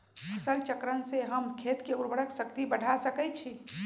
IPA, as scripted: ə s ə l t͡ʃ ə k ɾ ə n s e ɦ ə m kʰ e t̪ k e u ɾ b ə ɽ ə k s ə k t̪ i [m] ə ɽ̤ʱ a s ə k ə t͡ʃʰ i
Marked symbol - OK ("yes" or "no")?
no